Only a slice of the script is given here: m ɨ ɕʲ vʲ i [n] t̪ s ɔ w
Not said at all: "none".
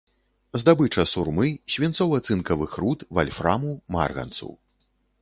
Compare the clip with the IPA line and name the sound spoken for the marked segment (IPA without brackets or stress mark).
n